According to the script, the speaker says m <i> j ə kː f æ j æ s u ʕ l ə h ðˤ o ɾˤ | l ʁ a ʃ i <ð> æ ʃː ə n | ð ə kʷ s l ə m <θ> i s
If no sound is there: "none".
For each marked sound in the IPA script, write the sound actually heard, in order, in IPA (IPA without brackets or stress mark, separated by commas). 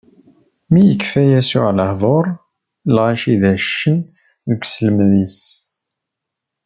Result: i, ð, ð